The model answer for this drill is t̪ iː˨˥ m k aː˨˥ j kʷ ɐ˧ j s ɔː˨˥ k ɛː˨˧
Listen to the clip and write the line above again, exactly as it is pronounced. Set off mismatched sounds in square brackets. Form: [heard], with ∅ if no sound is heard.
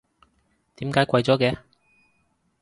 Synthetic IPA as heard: t̪ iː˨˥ m k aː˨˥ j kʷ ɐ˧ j [t͡s] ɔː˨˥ k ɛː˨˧

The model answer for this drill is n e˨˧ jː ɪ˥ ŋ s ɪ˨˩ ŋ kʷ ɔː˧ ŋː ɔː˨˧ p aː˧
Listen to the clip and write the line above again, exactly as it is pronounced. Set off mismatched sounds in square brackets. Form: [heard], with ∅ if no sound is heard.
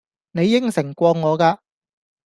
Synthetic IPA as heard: n e˨˧ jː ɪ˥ ŋ s ɪ˨˩ ŋ kʷ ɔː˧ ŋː ɔː˨˧ [k] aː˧

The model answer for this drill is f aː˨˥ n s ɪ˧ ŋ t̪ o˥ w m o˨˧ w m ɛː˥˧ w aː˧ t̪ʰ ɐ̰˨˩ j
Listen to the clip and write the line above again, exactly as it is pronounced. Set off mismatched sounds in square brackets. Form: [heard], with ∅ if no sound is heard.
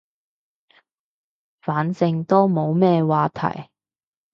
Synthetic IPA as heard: f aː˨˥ n s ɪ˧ ŋ t̪ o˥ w m o˨˧ w m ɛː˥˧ w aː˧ t̪ʰ ɐ̰˨˩ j

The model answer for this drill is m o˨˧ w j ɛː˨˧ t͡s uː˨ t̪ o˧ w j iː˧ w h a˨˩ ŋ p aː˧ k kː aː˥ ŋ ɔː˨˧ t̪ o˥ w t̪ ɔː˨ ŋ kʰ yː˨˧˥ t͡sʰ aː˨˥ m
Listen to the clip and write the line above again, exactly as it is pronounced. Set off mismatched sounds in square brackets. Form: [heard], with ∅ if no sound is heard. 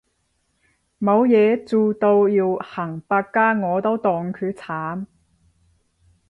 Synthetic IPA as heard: m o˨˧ w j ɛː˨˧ t͡s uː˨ t̪ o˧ w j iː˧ w h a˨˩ ŋ p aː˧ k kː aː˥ ŋ ɔː˨˧ t̪ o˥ w t̪ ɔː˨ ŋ kʰ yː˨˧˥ t͡sʰ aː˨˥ m

